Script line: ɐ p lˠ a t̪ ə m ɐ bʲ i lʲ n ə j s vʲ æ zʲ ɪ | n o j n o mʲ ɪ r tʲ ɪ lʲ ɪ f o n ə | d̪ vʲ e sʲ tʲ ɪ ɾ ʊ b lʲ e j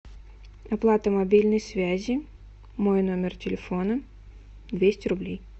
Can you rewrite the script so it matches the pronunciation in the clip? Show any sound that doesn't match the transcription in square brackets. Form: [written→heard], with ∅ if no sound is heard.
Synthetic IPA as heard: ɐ p lˠ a t̪ ə m ɐ bʲ i lʲ n ə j s vʲ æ zʲ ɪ | [n→m] o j n o mʲ ɪ r tʲ ɪ lʲ ɪ f o n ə | d̪ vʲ e sʲ tʲ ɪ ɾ ʊ b lʲ e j